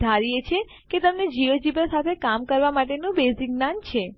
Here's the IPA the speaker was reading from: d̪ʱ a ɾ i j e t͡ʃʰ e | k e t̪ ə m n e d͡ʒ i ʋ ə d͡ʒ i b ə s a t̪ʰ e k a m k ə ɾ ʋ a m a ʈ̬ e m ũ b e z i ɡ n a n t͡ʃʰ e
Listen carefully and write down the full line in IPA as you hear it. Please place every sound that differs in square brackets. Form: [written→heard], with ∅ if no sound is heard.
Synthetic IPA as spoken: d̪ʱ a ɾ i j e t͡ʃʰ e | k e t̪ ə m n e d͡ʒ i ʋ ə d͡ʒ i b ə s a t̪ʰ e k a m k ə ɾ ʋ a m a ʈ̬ e [m→n] ũ b e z i ɡ n a n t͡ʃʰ e